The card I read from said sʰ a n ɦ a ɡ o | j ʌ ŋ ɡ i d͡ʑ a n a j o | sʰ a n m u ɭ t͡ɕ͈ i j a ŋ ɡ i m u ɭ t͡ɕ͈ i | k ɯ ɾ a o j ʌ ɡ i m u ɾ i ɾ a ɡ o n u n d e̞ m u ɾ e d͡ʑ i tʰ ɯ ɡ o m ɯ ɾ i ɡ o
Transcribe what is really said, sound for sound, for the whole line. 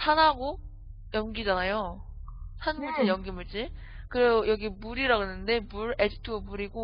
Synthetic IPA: sʰ a n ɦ a ɡ o | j ʌ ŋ ɡ i d͡ʑ a n a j o | sʰ a n m u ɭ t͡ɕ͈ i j ʌ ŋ ɡ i m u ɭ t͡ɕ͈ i | k ɯ ɾ e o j ʌ ɡ i m u ɾ i ɾ a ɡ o n ɯ n d e̞ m u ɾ e d͡ʑ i tʰ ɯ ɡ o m u ɾ i ɡ o